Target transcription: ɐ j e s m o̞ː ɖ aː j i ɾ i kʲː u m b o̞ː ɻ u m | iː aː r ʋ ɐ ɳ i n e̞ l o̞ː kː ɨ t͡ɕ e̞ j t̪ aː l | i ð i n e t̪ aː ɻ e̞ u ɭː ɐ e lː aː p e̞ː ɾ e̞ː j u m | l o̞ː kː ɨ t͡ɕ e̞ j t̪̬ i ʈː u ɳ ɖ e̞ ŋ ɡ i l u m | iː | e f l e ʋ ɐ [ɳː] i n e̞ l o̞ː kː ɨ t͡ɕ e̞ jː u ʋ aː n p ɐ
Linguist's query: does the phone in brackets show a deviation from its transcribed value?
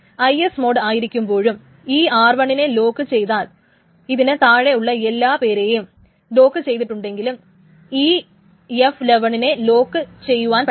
yes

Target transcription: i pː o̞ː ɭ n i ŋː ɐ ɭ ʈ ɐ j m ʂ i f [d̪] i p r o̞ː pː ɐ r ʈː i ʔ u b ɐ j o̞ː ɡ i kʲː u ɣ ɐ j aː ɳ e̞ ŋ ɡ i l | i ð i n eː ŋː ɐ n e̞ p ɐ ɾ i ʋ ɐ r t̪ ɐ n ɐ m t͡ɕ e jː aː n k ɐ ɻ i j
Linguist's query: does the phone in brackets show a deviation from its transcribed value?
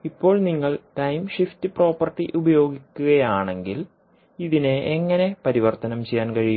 yes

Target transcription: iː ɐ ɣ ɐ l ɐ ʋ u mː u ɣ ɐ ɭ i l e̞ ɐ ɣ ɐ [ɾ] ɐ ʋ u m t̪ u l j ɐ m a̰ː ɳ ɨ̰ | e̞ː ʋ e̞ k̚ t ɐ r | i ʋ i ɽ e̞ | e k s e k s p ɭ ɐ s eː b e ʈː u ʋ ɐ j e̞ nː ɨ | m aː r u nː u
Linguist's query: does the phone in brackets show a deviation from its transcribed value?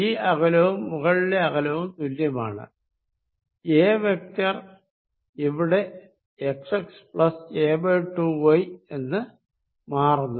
yes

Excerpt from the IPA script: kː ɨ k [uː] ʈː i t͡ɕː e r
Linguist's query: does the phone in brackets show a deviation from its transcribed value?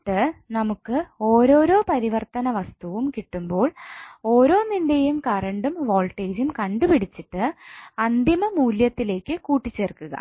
no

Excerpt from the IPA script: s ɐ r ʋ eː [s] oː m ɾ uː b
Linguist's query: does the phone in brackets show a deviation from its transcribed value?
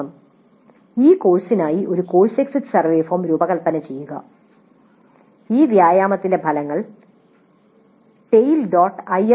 yes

